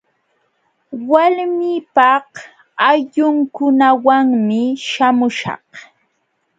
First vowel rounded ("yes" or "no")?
no